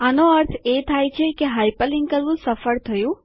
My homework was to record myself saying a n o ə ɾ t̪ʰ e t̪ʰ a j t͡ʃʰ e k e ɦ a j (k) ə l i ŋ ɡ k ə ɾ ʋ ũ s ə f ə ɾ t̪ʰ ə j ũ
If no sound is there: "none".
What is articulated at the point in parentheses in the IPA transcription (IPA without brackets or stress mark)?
p